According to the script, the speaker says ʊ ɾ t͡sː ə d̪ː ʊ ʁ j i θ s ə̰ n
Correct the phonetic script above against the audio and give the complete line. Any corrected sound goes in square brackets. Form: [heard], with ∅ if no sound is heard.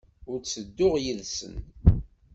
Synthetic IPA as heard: ʊ ɾ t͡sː ə d̪ː ʊ ʁ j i [ð] s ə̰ n